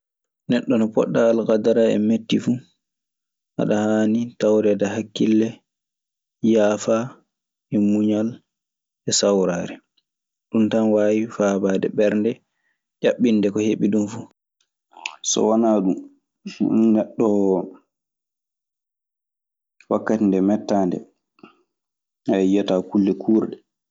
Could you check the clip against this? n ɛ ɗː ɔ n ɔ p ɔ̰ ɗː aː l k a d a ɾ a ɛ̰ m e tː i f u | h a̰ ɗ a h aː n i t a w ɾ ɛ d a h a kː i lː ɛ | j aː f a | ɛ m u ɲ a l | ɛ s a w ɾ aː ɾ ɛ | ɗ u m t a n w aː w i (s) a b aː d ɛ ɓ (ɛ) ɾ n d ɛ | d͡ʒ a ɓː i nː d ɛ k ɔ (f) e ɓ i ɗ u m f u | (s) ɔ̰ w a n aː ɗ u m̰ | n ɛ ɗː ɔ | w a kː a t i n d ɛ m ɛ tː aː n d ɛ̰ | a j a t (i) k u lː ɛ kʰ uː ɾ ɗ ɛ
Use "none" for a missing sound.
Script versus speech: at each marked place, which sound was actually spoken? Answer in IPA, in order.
f, ɛ, h, s, a

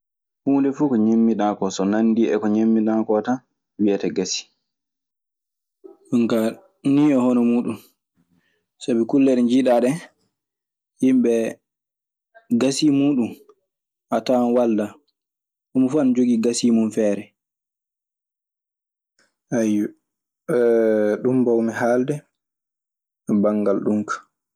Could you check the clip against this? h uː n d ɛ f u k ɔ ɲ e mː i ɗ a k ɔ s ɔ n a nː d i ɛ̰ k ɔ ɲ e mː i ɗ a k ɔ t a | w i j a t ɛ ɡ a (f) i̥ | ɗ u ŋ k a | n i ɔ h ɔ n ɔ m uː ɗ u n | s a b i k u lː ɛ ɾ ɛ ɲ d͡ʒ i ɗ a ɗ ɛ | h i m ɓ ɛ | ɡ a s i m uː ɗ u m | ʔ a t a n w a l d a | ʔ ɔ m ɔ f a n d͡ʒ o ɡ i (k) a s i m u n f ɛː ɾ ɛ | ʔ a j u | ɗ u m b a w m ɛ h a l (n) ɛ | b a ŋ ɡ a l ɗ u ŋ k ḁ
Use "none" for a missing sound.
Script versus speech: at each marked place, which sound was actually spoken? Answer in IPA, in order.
s, ɡ, d

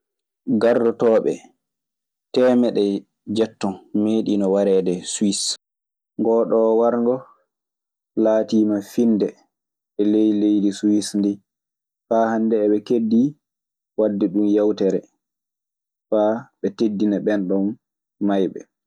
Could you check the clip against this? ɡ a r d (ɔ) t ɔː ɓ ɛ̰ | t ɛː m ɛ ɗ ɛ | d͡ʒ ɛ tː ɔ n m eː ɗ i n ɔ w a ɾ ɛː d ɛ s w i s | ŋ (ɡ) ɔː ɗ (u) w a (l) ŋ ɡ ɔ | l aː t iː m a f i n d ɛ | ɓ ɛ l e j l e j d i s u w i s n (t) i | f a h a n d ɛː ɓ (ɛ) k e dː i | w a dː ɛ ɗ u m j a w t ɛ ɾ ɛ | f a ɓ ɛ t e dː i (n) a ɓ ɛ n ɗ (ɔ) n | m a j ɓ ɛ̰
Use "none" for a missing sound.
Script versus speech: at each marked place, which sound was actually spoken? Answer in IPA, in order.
ɔ, ɡ, ɔ, ɾ, d, ɛ, n, ɔ

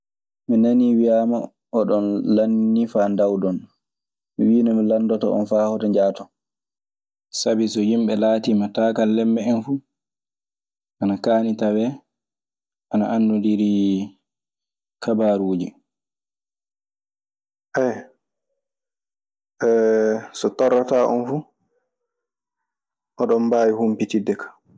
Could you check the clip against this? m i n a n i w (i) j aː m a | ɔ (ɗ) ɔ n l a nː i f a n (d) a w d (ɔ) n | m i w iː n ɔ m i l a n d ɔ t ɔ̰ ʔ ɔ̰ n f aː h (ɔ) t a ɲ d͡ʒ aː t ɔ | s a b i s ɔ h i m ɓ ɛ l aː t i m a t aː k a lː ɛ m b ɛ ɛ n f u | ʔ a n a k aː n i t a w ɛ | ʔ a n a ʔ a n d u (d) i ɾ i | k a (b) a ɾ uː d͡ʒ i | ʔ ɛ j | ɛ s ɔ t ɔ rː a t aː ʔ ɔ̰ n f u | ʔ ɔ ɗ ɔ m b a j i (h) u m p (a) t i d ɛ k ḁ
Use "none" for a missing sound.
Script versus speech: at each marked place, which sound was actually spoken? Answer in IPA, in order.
i, ɗ, d, ɔ, ɔ, d, b, h, i

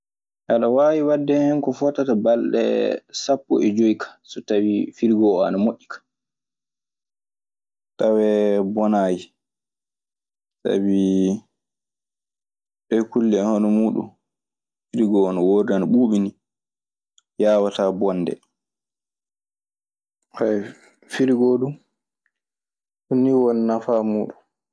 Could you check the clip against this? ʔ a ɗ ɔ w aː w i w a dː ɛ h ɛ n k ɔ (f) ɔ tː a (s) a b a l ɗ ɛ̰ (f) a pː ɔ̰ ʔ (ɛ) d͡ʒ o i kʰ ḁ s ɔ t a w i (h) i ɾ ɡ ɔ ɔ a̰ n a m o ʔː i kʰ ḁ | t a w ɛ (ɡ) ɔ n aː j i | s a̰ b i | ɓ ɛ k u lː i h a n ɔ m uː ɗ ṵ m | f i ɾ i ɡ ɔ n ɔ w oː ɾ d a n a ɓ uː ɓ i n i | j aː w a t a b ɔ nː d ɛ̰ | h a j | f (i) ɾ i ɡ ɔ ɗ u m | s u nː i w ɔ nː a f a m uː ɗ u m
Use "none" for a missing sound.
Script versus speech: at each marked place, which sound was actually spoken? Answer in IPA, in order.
f, t, s, ɛ, f, b, i

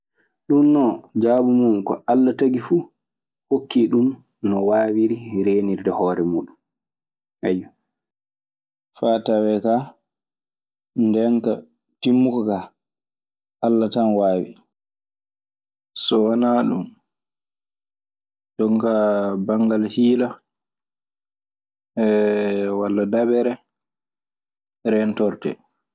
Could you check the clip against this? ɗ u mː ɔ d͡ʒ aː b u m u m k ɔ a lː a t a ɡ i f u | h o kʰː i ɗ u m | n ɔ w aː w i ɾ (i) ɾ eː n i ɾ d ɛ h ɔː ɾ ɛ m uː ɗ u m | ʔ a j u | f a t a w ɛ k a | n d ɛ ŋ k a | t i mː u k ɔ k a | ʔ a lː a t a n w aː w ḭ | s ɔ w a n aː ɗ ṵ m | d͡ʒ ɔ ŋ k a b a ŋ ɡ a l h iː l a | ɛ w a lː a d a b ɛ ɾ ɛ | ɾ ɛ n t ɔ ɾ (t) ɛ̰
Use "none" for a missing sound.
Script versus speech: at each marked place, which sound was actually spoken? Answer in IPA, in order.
i, t

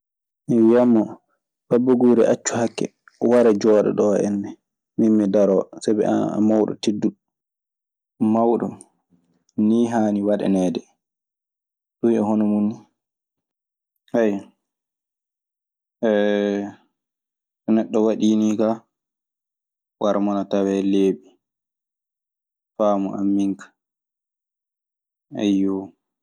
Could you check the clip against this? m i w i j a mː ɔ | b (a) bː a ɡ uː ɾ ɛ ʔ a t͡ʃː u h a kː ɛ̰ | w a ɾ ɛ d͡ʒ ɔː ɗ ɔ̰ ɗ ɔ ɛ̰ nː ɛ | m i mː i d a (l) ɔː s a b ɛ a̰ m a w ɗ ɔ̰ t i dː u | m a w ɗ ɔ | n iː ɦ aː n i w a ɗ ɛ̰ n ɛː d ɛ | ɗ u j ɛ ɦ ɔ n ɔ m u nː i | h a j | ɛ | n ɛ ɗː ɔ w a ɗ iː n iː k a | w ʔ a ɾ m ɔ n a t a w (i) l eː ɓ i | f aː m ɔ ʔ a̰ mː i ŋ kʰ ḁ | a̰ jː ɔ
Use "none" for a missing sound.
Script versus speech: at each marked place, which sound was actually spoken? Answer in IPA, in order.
a, ɾ, ɛ

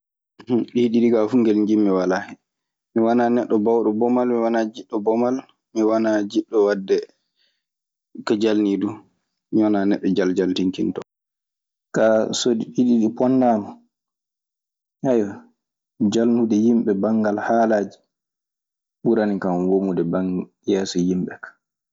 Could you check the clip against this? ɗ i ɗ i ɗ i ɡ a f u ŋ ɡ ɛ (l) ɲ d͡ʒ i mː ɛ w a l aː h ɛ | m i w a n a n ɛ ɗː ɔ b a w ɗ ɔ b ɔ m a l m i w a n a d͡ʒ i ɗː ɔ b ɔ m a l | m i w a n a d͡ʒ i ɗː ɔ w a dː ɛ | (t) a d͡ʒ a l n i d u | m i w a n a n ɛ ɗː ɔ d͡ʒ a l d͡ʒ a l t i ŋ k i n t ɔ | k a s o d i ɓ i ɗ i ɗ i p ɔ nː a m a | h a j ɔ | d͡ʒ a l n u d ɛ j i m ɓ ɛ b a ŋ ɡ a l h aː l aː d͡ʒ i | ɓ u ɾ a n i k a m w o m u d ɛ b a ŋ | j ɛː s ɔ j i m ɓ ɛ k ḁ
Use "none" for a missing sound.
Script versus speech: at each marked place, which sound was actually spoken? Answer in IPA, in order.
l, k

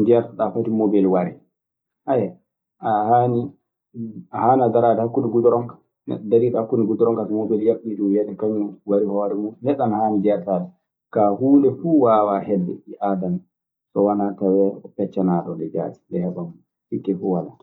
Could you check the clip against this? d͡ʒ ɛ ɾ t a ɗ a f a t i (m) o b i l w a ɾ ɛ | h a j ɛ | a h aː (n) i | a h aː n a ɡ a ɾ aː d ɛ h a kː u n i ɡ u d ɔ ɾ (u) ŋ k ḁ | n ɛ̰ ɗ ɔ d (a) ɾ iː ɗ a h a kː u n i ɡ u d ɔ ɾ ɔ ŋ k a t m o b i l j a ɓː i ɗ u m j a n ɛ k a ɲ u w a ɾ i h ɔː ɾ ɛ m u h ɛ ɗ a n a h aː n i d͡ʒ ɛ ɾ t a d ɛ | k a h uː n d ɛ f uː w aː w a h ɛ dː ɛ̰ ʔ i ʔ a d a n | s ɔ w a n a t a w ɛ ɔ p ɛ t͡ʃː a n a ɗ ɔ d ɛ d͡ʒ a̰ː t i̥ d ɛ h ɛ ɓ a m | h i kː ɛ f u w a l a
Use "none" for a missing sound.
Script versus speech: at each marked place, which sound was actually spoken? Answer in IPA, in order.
m, n, ɔ, a

